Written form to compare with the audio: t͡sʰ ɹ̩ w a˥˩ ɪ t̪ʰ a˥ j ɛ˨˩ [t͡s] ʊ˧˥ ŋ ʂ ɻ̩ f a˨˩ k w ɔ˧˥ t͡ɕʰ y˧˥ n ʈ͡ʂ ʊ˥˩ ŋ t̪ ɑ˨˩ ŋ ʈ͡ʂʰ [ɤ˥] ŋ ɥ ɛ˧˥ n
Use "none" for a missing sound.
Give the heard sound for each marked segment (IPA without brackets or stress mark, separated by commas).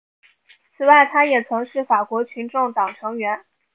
t͡sʰ, ɤ˧˥